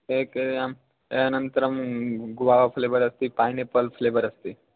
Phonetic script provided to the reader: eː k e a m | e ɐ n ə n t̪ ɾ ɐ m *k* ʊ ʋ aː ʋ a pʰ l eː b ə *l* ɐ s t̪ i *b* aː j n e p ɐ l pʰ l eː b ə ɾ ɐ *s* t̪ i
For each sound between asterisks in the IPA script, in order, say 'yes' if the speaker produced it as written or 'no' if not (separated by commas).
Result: no, no, no, yes